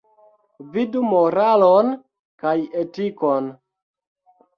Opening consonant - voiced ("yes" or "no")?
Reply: yes